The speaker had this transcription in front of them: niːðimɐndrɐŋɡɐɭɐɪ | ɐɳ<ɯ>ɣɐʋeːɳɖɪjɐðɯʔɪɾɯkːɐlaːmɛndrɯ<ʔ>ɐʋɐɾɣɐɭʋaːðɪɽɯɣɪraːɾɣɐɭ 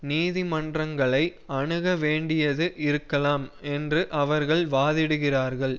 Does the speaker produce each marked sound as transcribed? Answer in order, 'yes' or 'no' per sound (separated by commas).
yes, yes